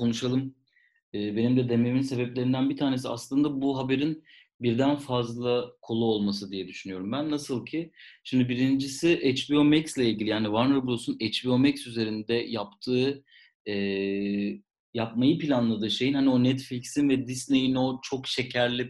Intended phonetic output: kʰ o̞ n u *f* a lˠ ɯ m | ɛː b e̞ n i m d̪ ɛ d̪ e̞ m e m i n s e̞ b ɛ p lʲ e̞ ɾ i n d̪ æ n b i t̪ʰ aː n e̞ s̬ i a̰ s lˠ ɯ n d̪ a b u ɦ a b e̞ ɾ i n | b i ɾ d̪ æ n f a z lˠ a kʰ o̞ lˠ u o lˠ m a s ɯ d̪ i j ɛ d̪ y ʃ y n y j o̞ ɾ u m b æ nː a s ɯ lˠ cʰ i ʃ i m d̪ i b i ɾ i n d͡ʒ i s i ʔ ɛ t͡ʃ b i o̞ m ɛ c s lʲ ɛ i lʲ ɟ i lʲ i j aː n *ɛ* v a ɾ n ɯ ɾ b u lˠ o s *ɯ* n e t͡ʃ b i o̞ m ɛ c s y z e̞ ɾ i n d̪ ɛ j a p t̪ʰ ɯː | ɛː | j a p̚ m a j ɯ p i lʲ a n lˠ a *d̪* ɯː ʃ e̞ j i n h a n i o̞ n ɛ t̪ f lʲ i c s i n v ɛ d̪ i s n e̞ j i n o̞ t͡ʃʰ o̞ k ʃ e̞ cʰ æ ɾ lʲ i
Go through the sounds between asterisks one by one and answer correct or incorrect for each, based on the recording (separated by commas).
incorrect, incorrect, incorrect, correct